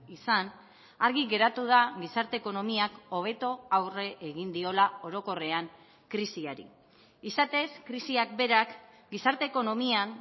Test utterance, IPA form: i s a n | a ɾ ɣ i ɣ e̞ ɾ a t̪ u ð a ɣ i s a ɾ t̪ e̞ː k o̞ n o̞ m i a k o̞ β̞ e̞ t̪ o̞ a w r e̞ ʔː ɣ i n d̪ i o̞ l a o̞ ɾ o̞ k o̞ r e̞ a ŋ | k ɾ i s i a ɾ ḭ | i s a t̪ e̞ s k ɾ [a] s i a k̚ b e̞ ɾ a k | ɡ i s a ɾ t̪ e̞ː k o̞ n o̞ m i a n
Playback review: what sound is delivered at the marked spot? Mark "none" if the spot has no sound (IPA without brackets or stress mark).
i